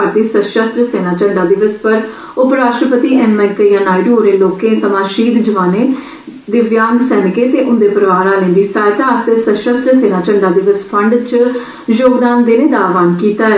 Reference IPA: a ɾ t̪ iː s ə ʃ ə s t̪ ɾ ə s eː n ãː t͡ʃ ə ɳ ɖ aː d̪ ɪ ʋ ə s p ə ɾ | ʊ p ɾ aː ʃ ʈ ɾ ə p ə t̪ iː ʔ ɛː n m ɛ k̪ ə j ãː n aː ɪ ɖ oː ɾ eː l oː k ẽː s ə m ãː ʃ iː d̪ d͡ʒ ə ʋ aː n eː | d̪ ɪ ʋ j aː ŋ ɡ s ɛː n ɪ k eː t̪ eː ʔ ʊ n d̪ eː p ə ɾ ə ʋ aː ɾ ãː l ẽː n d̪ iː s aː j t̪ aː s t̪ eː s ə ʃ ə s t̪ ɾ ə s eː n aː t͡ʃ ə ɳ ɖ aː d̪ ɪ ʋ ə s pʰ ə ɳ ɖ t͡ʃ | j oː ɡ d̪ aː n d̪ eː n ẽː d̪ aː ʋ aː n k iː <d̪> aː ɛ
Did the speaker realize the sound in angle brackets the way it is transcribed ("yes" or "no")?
no